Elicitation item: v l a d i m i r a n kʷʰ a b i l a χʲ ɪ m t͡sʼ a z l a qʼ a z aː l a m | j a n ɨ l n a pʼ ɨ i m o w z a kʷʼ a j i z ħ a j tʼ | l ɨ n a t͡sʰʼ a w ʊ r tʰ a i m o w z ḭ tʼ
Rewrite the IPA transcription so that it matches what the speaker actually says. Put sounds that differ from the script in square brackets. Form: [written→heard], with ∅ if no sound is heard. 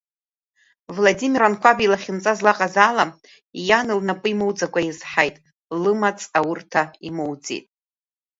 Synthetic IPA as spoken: v l a d i m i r a n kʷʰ a b i l a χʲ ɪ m t͡sʼ a z l a qʼ a z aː l a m | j a n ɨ l n a pʼ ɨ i m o w [z→d͡z] a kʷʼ a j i z ħ a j tʼ | l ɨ [n→m] a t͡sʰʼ a w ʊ r tʰ a i m o w [z→d͡z] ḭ tʼ

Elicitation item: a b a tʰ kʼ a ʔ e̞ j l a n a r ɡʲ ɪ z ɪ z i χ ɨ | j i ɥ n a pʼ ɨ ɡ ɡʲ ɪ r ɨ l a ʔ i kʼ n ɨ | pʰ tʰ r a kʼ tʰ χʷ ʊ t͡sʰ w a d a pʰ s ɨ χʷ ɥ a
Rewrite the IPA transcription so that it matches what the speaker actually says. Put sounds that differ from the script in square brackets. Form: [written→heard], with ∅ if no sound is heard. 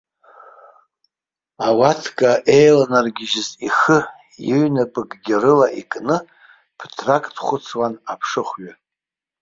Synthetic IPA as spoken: a [b→w] a tʰ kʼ a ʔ e̞ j l a n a r ɡʲ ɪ [z→ʒ] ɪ z i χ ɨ | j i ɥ n a pʼ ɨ ɡ ɡʲ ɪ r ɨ l a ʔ i kʼ n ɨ | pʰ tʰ r a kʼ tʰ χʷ ʊ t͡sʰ w a [d→n] a pʰ [s→ʂ] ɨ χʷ ɥ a

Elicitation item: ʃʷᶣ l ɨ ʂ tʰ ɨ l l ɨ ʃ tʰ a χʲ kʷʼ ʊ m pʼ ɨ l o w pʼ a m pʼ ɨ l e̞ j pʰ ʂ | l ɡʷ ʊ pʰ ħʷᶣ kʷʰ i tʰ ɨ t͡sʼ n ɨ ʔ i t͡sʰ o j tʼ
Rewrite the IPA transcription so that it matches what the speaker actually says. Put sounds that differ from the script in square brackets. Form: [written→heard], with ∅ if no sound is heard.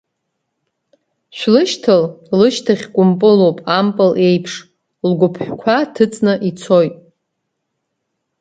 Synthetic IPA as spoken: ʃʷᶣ l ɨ [ʂ→ʃ] tʰ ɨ l l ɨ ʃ tʰ a χʲ kʷʼ ʊ m pʼ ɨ l o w pʼ a m pʼ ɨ l e̞ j pʰ ʂ | l ɡʷ ʊ pʰ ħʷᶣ kʷʰ [i→a] tʰ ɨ t͡sʼ n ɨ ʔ i t͡sʰ o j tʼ

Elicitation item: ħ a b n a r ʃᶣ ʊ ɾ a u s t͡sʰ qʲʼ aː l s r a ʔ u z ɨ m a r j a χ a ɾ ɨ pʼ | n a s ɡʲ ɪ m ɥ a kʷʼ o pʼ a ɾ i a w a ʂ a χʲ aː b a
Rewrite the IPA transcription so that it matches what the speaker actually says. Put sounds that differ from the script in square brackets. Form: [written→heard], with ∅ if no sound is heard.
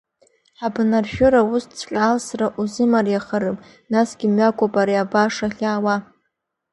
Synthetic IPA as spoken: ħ a b n a r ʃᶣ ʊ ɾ a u s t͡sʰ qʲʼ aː l s r a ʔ u z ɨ m a r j a χ a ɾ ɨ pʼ | n a s ɡʲ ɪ m ɥ a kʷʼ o pʼ a ɾ i a [w→b] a ʂ a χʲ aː [b→w] a

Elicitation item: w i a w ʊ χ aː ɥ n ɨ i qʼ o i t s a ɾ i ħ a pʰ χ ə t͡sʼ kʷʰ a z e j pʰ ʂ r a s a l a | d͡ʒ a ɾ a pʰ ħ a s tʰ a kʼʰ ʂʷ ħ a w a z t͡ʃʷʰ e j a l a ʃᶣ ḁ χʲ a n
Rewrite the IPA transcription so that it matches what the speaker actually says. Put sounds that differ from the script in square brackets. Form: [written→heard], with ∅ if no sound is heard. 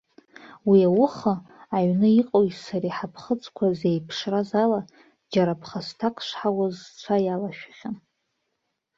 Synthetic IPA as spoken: w i a w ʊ χ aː ɥ n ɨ i qʼ o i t s a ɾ i ħ a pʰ χ ə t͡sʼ kʷʰ a z e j pʰ ʂ r a [s→z] a l a | d͡ʒ a ɾ a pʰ [ħ→χ] a s tʰ a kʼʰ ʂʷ ħ a w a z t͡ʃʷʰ [e→a] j a l a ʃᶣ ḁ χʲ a n

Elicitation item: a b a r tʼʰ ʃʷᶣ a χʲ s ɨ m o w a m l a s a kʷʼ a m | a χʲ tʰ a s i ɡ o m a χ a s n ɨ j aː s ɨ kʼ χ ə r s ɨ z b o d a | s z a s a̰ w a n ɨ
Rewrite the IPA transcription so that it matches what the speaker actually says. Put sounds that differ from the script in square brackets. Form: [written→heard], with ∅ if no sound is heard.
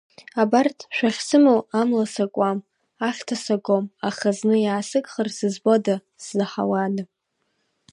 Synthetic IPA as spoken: a b a r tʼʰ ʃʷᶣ a χʲ s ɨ m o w a m l a s a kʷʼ a m | a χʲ tʰ a s [i→a] ɡ o m a χ a [s→z] n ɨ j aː s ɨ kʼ χ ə r s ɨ z b o d a | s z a [s→ħ] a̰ w a n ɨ

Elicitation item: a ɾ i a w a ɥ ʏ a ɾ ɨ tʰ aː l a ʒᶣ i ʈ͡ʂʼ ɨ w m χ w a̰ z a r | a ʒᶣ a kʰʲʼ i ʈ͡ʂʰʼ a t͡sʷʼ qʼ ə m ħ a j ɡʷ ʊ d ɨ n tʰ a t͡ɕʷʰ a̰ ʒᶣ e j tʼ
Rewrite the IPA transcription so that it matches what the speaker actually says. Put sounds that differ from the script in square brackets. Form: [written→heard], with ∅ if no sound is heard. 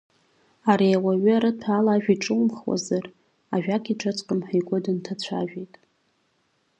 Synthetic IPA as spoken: a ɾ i a w a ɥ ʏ a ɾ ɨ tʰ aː l a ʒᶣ i ʈ͡ʂʼ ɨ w m χ w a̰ z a r | a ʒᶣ a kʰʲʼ i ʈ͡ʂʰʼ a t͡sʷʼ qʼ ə m ħ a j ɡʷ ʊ d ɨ n tʰ a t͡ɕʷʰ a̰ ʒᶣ e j tʼ

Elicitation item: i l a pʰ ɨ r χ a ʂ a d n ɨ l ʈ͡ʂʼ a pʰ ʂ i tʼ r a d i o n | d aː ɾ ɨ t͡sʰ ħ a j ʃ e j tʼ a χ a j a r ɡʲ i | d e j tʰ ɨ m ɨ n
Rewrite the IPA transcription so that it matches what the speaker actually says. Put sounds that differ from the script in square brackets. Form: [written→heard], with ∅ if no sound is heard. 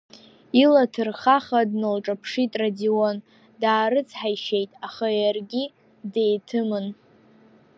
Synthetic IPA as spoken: i l a [pʰ→tʰ] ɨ r χ a [ʂ→χ] a d n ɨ l ʈ͡ʂʼ a pʰ ʂ i tʼ r a d i o n | d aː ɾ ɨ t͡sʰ ħ a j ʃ e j tʼ a χ a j a r ɡʲ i | d e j tʰ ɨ m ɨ n

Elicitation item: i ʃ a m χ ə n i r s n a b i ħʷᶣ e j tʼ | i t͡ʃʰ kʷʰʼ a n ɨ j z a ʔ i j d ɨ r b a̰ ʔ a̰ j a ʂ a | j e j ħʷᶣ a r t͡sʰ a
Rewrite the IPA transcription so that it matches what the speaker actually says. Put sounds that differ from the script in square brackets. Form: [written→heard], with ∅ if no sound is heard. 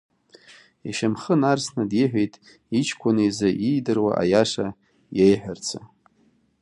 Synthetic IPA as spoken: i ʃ a m χ ə n [i→a] r s n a [b→d] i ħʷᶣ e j tʼ | i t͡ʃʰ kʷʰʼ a n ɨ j z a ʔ i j d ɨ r [b→w] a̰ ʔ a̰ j a ʂ a | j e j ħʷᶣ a r t͡sʰ a

